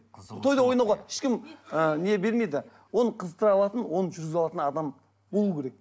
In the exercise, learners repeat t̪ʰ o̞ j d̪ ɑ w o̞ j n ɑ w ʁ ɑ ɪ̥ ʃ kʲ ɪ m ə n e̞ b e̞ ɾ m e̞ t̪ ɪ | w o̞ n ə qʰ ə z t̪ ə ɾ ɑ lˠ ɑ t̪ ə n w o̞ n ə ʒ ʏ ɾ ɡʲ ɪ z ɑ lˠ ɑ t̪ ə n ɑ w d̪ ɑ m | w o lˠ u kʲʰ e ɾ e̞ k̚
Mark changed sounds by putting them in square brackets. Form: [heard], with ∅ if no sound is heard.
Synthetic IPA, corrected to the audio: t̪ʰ o̞ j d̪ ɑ w o̞ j n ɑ w ʁ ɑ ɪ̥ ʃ kʲ ɪ m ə n e̞ b e̞ ɾ m e̞ [d̪] ɪ | w o̞ n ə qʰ ə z t̪ ə ɾ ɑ lˠ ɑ t̪ ə n w o̞ n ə ʒ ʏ ɾ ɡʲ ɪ z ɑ lˠ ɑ t̪ ə n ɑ [∅] d̪ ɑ m | [b] o lˠ u kʲʰ e ɾ e̞ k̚